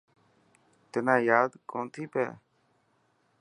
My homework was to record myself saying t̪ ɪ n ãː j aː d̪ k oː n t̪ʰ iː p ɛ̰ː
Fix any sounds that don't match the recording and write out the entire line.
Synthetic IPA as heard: t̪ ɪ n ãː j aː d̪ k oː n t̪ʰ iː p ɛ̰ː